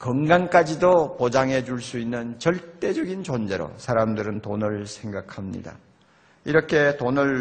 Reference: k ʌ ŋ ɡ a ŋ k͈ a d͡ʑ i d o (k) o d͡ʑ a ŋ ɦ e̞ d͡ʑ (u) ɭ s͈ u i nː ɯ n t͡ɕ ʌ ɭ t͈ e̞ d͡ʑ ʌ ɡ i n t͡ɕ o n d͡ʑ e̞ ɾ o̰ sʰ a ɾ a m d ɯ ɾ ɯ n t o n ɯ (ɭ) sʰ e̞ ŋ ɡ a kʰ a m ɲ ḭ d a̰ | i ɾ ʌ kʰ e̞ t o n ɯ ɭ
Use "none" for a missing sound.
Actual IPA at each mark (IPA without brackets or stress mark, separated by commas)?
p, u, ɭ